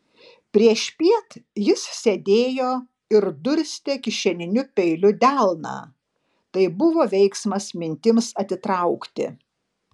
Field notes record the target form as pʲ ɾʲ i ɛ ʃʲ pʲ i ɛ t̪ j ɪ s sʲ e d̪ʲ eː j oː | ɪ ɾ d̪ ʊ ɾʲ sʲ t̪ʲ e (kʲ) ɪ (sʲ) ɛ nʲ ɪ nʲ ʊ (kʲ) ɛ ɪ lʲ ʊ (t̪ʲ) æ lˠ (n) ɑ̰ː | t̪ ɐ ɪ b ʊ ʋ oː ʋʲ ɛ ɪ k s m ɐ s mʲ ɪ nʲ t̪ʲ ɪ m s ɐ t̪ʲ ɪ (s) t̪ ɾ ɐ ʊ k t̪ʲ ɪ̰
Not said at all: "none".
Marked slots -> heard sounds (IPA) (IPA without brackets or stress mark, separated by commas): kʲ, ʃʲ, pʲ, d̪ʲ, n, none